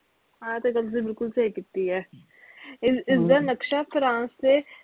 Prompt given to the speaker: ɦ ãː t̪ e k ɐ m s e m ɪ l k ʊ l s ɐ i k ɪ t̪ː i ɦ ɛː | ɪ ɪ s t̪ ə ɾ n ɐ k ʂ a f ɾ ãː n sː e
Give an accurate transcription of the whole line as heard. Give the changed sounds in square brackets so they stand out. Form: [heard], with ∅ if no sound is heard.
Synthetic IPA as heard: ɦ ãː t̪ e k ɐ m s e [b] ɪ l k ʊ l s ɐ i k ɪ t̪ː i ɦ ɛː | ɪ ɪ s [d̪] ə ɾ n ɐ k [ʃ] a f ɾ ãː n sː e